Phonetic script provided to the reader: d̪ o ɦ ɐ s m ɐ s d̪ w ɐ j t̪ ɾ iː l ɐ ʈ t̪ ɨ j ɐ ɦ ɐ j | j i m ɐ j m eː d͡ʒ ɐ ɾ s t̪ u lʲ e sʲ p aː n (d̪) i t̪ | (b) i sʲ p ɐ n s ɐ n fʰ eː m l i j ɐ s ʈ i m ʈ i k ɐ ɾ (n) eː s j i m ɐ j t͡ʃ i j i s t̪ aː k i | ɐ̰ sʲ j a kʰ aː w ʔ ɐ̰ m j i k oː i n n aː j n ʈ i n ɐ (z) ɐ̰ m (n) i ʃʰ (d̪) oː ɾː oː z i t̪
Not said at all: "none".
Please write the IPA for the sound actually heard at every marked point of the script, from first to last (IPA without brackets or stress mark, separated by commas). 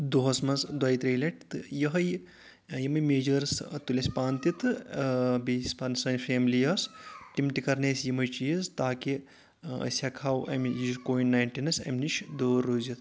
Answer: t̪, b, n, s, n, d̪